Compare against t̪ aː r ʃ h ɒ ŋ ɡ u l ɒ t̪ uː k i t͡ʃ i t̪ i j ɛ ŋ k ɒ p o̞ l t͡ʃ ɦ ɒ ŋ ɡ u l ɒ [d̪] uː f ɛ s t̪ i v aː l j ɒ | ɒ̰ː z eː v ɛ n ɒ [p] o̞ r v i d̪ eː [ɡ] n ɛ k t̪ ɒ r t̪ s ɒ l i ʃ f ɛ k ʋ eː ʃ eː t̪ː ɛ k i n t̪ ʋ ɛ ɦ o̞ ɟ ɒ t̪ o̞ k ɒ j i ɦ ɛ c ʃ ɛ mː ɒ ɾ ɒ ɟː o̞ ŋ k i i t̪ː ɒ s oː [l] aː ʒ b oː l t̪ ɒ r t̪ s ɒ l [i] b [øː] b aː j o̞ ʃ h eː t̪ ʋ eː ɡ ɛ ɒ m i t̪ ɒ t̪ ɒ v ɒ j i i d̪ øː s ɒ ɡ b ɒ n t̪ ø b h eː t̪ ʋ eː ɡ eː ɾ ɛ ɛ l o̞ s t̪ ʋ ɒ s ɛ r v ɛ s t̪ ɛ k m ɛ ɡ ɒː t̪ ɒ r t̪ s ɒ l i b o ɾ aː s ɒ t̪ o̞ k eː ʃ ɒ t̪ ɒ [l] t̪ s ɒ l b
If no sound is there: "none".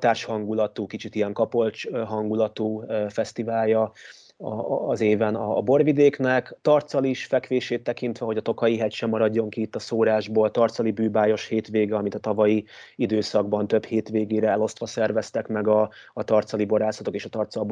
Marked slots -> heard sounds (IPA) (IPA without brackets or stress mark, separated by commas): t̪, b, k, ɾ, i, yː, r